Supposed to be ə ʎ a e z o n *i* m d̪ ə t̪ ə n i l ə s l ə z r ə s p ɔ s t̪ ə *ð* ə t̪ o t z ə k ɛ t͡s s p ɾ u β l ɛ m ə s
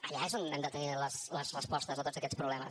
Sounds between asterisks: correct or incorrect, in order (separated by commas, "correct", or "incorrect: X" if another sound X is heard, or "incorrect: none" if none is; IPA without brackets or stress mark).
incorrect: ɛ, incorrect: z